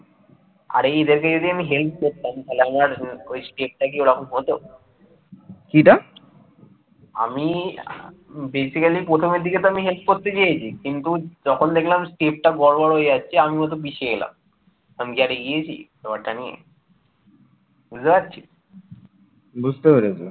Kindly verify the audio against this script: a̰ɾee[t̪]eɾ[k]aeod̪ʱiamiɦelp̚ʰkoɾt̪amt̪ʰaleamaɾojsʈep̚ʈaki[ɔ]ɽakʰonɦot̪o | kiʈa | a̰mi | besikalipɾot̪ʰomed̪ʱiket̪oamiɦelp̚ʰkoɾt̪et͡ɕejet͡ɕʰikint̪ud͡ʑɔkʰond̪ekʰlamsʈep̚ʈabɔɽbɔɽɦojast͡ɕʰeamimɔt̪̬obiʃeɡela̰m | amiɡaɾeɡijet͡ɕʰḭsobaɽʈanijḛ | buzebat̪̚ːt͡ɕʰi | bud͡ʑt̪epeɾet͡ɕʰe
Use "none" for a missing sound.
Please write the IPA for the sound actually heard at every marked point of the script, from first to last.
d̪, k, o

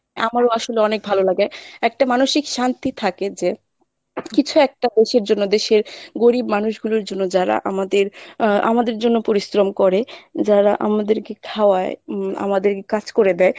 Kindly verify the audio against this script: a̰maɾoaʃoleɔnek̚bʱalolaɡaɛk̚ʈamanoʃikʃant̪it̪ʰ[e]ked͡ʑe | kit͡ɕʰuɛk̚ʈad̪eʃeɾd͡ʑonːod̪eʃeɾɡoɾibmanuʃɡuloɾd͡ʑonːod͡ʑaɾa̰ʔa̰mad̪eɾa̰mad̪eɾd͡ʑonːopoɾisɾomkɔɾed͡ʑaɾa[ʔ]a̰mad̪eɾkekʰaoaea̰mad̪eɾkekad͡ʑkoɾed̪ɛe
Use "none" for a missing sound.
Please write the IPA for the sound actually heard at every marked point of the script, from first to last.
a, ʔ

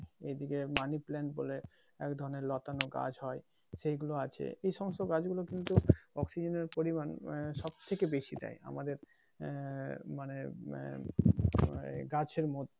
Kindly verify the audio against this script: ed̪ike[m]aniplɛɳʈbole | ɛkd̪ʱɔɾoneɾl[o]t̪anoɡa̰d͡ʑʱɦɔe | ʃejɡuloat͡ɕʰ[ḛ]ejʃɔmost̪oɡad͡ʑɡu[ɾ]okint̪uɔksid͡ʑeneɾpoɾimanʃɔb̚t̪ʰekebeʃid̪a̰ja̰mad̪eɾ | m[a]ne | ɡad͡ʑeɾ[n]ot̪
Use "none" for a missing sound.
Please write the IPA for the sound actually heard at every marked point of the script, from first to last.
m, ɔ, ḛ, l, a, m

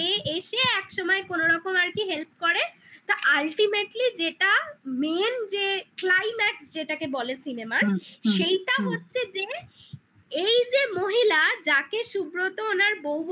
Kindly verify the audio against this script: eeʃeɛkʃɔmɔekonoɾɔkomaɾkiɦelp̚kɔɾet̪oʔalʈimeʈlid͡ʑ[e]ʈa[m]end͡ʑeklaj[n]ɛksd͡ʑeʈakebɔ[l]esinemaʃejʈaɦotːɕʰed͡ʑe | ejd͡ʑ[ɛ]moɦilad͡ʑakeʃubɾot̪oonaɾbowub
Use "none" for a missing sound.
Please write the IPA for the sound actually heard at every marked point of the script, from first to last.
e, m, m, l, e

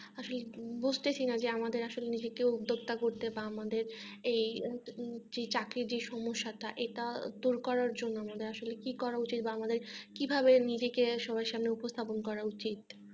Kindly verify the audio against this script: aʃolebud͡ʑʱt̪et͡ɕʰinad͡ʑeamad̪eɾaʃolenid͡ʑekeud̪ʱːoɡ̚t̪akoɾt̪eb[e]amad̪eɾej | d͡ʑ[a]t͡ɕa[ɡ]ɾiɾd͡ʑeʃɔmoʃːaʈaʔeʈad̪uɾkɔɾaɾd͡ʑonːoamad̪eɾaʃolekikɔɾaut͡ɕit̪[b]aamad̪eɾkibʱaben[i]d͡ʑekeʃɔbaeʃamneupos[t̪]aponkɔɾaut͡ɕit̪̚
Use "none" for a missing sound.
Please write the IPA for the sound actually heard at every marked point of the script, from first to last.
a, e, k, b, i, t̪ʰ

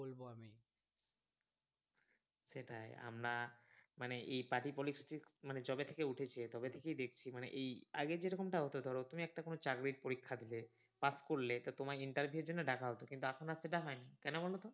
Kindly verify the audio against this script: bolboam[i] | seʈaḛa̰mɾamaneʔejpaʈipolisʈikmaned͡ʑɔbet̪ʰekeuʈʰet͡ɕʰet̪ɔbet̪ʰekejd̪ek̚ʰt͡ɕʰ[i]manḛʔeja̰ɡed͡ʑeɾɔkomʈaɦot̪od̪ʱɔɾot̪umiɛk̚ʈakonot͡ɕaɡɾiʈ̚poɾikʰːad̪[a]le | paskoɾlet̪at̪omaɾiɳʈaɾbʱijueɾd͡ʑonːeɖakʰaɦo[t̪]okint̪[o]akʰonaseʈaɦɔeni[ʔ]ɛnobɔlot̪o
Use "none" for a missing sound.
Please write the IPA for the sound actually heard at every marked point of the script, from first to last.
i, i, i, t̪, u, k

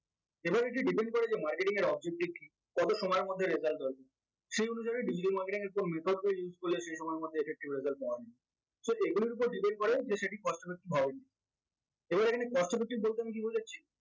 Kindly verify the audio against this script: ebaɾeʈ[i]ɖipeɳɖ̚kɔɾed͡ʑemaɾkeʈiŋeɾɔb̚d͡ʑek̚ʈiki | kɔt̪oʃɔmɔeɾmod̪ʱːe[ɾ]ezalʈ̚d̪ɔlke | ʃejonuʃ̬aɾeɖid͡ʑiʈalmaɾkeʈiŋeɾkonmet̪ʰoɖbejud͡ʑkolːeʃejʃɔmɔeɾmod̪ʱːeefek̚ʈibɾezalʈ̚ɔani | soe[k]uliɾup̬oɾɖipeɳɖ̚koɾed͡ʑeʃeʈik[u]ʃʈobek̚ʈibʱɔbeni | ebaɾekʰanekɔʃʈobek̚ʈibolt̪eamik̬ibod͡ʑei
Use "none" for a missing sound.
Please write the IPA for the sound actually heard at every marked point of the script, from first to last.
i, ɾ, ɡ, ɔ

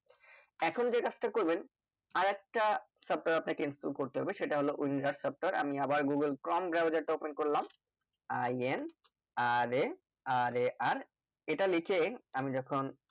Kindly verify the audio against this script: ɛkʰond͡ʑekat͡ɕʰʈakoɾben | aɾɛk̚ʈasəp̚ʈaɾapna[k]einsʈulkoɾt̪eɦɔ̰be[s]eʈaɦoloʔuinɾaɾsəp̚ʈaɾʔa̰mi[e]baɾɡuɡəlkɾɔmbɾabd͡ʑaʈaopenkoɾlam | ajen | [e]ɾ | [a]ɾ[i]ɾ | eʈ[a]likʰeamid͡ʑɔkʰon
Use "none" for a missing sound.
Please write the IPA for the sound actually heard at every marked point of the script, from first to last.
k, ʃ, a, a, a, a, a

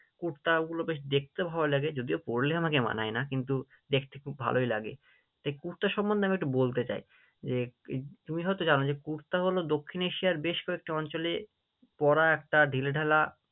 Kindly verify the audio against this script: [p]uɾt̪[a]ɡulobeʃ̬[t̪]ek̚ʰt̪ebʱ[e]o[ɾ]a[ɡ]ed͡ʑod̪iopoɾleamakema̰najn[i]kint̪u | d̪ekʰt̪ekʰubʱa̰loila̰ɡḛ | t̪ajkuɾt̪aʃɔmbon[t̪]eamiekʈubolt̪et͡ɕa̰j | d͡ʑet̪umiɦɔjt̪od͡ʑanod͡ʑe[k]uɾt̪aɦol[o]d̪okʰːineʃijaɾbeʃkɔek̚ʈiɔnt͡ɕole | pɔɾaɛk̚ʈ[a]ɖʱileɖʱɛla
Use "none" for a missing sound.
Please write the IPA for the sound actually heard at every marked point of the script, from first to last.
k, a, d̪, a, l, ɡ, a, d̪, k, o, a

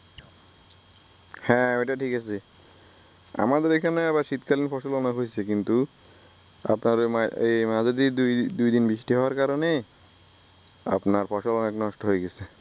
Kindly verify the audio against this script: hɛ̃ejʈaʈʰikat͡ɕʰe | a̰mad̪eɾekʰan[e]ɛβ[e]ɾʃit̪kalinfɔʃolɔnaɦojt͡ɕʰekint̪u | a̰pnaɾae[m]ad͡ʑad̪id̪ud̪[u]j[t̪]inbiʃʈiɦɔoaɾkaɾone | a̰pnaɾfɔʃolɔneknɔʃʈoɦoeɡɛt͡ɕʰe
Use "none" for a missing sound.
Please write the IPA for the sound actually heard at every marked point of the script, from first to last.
e, a, m, u, d̪

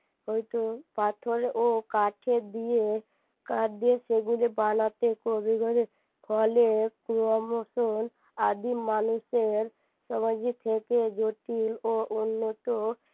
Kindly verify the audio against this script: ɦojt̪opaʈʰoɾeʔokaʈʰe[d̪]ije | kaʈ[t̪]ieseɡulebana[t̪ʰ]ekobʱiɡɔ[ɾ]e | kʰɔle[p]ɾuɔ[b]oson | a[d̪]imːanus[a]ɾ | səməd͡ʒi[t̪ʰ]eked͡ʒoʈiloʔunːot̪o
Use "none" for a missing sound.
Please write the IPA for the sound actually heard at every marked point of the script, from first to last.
d̪, d̪, t̪, ɾ, k, m, d̪, e, t̪ʰ

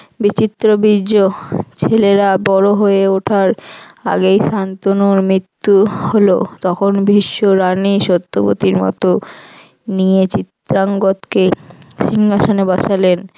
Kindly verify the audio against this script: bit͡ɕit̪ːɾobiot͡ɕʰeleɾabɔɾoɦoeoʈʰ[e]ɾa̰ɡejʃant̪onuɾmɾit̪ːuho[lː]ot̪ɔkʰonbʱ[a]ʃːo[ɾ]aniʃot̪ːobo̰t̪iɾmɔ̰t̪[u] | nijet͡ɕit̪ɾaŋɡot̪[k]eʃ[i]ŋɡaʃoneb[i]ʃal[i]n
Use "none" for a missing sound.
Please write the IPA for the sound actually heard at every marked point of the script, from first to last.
a, l, i, ɾ, o, k, i, a, e

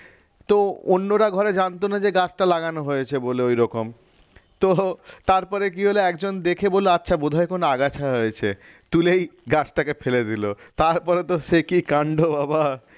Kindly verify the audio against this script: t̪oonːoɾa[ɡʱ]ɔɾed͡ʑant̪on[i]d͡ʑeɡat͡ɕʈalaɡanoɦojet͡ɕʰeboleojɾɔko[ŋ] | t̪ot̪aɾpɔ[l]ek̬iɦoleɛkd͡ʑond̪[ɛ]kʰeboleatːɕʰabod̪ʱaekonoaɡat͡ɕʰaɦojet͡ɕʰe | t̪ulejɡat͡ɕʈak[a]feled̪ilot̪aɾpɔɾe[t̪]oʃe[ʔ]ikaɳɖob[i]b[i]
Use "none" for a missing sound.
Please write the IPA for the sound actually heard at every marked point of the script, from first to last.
ɡʱ, a, m, ɾ, e, e, t̪, k, a, a

